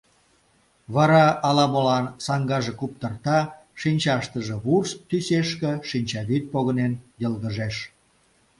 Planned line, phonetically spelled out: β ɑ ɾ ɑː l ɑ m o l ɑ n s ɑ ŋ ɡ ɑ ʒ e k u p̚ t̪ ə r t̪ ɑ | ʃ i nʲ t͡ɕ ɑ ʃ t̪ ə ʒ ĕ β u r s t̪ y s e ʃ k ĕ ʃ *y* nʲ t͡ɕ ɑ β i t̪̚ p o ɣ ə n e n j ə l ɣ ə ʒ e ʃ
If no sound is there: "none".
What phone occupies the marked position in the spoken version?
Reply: i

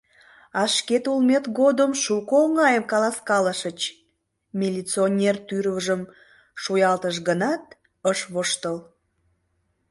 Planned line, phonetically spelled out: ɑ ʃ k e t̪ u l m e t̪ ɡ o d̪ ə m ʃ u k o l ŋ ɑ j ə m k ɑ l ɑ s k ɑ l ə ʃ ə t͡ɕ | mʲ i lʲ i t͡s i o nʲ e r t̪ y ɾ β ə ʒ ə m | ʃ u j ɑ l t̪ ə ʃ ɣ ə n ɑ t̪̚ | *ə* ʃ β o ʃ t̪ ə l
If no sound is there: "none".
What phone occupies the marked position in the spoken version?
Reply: ə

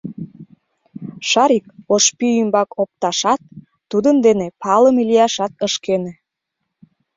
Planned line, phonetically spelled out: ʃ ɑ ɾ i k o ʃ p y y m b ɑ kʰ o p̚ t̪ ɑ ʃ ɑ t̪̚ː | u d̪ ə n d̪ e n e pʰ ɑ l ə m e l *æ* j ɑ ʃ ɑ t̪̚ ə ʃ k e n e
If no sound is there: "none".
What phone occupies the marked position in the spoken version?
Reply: i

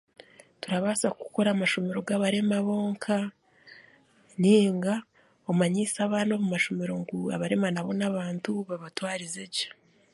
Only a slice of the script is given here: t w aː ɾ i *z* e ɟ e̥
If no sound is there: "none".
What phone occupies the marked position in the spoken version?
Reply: z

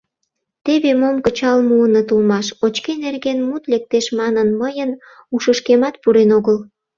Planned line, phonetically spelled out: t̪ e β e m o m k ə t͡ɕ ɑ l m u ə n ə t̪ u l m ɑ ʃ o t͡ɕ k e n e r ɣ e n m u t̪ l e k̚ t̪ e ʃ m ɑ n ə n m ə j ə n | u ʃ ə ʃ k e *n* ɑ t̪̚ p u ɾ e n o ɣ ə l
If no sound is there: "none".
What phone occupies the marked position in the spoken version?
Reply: m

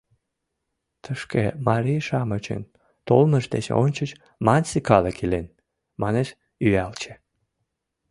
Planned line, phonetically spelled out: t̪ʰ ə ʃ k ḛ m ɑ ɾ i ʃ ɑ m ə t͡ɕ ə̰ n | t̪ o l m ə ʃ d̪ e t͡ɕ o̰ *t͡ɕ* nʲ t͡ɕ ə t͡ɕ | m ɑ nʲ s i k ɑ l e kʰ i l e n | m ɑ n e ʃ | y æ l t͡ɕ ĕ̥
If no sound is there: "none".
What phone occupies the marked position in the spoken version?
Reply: none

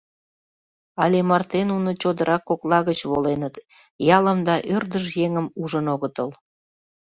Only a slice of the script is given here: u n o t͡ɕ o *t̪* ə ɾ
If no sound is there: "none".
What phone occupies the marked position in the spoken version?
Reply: d̪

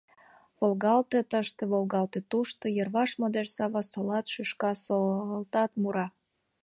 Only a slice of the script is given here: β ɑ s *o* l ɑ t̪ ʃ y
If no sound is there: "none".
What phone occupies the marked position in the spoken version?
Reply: o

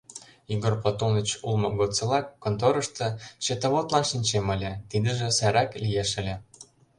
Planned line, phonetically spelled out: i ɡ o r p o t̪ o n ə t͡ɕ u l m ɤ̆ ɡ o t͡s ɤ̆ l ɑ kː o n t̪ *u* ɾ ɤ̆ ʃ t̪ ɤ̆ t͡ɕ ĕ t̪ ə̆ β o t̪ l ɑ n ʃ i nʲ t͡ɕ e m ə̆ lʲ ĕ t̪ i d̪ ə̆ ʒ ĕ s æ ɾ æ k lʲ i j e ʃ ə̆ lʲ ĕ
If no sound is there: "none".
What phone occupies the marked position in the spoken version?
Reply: o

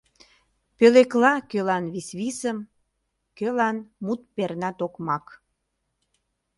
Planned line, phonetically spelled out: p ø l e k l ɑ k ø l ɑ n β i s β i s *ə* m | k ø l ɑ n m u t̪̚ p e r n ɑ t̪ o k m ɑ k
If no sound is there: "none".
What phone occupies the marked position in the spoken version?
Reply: ə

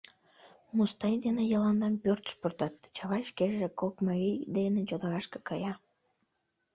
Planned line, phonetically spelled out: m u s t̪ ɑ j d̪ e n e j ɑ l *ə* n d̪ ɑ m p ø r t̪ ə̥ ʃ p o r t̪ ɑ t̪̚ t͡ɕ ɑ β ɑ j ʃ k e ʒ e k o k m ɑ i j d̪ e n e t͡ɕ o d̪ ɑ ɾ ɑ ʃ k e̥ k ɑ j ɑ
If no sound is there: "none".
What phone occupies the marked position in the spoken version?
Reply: ɑ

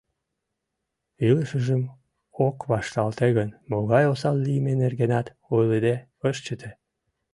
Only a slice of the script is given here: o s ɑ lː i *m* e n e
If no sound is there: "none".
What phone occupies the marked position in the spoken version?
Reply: m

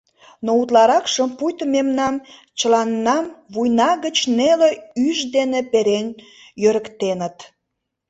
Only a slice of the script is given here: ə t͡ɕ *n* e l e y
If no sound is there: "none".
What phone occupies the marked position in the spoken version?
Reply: n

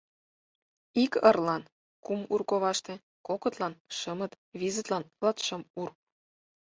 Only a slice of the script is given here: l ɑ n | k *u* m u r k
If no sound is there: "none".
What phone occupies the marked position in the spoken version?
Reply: u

